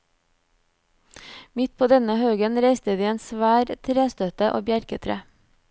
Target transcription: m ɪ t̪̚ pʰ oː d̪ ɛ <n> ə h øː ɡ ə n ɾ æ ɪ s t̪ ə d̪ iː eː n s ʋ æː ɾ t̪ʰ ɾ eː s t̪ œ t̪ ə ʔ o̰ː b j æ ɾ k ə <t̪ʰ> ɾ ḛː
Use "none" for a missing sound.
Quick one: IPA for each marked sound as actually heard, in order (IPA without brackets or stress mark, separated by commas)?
n, t̪ʰ